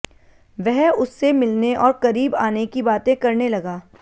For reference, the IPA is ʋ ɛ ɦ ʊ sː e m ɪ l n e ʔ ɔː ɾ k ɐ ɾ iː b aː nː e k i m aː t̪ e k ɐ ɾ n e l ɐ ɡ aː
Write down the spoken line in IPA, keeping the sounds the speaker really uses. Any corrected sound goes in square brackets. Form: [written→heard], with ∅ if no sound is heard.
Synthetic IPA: ʋ ɛ ɦ ʊ sː e m ɪ l n e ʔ ɔː ɾ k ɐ ɾ iː b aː [nː→n] e k i [m→b] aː t̪ [e→ẽ] k ɐ ɾ n e l ɐ ɡ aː